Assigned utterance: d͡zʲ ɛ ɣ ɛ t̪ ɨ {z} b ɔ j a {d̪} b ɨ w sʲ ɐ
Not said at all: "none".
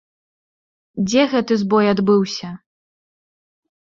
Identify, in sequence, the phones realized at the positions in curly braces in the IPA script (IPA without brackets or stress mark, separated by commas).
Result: z, d̪